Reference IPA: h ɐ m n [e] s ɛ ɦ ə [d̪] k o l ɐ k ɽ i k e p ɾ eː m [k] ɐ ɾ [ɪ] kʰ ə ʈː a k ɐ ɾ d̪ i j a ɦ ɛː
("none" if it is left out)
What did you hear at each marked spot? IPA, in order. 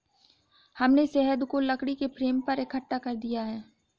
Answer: e, d̪, p, ɪ

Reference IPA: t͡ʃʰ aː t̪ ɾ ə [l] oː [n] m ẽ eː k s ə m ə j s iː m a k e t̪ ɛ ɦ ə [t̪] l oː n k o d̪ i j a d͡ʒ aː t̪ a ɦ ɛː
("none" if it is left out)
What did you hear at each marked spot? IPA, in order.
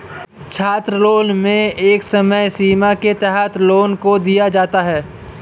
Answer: l, n, t̪

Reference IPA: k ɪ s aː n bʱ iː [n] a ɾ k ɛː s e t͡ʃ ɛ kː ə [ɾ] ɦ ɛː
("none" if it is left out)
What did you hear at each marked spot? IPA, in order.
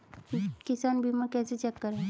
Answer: m, ɾ

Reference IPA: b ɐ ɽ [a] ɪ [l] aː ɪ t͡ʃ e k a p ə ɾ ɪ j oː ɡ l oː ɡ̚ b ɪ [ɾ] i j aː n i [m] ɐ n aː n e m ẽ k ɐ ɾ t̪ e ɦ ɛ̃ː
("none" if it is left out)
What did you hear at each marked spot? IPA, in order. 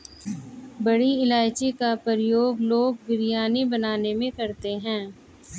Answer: i, l, ɾ, b

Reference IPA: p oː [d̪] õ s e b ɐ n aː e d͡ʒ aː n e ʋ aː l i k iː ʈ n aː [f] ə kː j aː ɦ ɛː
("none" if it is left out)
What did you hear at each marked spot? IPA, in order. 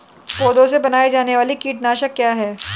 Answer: d̪, ʃ

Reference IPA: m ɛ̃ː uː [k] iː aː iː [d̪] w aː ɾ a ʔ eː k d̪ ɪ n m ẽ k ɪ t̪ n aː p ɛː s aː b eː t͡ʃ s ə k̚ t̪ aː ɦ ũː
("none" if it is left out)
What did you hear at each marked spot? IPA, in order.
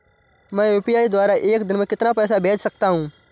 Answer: p, d̪

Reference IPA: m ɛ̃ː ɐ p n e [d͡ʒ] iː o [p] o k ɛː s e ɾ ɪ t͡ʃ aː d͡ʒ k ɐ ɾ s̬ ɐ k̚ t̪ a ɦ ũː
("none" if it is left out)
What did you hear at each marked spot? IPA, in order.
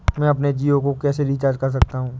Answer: d͡ʒ, k

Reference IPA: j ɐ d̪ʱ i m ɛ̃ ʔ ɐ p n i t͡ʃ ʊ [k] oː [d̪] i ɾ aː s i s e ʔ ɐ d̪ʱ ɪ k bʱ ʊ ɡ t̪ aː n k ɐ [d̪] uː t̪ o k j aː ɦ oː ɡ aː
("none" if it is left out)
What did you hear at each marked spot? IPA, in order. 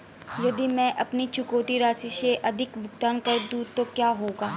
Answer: k, t̪, d̪

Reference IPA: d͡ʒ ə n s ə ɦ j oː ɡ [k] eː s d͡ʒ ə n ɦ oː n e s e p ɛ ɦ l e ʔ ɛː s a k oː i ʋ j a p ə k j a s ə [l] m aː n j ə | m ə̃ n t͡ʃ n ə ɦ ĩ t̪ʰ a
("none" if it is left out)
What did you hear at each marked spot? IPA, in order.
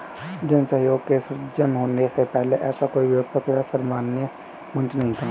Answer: k, ɾ

